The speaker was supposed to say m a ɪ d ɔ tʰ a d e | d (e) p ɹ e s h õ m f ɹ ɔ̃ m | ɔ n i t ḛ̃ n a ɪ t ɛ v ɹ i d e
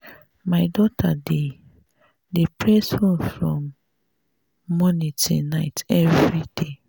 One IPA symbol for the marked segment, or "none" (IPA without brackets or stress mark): e